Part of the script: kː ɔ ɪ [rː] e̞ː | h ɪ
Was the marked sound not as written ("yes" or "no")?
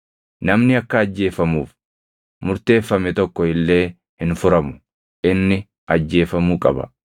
yes